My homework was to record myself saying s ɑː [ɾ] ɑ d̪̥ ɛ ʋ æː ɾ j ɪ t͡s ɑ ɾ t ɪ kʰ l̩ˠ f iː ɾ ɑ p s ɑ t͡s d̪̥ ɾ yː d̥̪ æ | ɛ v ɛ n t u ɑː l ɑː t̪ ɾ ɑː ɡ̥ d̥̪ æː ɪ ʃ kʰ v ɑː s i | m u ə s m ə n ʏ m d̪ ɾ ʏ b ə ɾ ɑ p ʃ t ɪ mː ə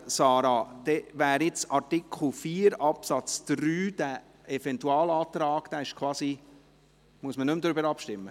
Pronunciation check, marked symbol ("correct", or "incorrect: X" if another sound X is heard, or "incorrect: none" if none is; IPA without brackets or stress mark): correct